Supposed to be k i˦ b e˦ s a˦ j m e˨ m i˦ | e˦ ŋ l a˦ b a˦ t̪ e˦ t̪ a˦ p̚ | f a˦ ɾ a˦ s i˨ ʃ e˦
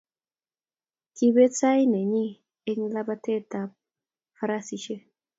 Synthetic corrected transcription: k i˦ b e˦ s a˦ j n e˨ ɲ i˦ | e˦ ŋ l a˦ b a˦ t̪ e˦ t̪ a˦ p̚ | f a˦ ɾ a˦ s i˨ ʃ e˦